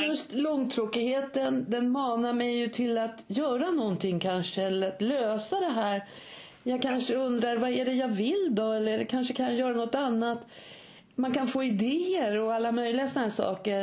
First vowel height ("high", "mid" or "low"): mid